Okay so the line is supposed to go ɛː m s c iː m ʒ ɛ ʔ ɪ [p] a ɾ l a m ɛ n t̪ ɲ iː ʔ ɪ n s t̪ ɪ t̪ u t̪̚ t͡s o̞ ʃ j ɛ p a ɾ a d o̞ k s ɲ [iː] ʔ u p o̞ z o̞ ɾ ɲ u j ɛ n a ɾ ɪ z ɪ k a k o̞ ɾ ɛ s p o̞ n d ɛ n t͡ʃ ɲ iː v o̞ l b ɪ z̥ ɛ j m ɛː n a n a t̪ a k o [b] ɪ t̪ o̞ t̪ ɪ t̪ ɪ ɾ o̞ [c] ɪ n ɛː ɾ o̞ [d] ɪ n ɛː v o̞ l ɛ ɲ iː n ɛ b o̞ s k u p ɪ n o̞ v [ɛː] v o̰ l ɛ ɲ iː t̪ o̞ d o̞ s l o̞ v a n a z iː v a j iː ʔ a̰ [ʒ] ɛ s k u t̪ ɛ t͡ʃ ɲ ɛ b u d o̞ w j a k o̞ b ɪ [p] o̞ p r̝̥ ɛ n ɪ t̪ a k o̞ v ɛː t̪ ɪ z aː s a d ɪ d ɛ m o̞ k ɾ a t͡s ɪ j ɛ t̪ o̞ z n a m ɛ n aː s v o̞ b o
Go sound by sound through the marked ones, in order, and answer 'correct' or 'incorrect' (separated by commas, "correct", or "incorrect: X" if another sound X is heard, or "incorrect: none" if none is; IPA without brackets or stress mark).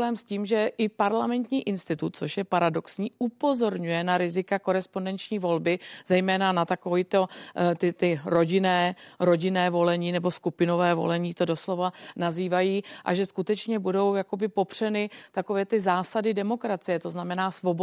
correct, correct, incorrect: v, incorrect: ɟ, incorrect: ɟ, correct, correct, correct